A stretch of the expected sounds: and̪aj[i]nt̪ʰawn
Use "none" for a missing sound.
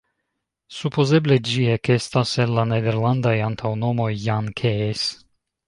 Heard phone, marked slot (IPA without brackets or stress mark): a